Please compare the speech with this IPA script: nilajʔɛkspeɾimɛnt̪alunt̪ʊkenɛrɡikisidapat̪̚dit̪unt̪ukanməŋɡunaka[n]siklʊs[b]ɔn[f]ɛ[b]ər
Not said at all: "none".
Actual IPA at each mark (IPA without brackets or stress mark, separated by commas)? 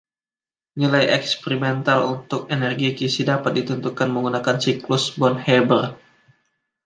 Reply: n, b, h, b